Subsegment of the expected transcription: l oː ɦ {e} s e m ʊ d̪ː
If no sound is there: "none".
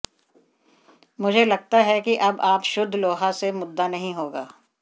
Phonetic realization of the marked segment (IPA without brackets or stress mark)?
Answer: a